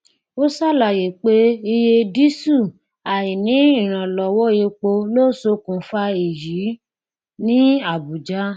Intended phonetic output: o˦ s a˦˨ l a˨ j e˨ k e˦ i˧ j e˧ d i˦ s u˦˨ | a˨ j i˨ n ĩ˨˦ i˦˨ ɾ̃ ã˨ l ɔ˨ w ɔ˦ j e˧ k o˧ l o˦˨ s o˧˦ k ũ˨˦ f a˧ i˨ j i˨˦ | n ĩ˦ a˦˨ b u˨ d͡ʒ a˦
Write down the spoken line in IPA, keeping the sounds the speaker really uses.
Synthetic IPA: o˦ s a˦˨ l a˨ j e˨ k͡p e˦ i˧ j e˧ d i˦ s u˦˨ | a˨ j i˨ n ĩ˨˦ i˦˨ ɾ̃ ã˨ l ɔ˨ w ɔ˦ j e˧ k͡p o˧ l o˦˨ s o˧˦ k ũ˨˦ f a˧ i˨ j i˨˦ | n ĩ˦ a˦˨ b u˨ d͡ʒ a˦